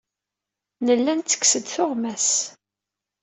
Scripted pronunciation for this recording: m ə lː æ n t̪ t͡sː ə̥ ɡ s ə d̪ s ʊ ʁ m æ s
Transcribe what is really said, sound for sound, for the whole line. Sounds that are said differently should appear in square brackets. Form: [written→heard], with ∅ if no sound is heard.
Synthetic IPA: [m→n] ə lː æ n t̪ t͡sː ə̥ [ɡ→k] s ə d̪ [s→θ] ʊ ʁ m æ s